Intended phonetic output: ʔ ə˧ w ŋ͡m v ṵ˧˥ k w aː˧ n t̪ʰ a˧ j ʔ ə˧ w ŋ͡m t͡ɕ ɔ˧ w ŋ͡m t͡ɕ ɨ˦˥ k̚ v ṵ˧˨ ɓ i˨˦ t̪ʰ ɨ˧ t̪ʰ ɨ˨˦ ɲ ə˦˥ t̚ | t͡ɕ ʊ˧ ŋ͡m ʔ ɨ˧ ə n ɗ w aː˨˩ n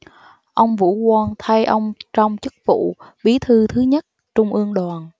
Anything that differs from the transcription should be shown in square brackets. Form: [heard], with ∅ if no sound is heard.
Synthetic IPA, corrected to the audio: ʔ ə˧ w ŋ͡m v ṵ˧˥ k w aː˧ n t̪ʰ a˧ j ʔ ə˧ w ŋ͡m t͡ɕ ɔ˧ w ŋ͡m t͡ɕ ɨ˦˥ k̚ v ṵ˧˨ ɓ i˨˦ t̪ʰ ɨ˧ t̪ʰ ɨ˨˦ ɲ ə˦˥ t̚ | t͡ɕ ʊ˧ ŋ͡m ʔ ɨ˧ ə [ŋ] ɗ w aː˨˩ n